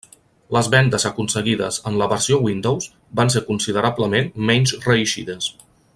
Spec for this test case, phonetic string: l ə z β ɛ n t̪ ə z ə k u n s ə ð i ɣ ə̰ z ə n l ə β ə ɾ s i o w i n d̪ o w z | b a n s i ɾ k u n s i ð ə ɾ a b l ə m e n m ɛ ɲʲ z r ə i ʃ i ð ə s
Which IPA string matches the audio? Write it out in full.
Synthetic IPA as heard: l ə z β ɛ n d̪ ə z ə k u n s ə ɣ i ð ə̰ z ə n l ə β ə ɾ s i o w i n d̪ o w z | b a n s e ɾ k u n s i ð ə ɾ a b l ə m e n m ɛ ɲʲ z r ə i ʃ i ð ə s